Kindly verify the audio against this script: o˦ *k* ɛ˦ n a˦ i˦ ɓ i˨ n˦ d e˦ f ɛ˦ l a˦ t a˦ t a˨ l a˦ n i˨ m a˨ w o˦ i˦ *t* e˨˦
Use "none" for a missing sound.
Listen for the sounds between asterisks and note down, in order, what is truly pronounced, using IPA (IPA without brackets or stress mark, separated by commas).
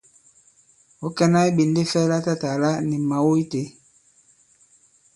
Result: k, t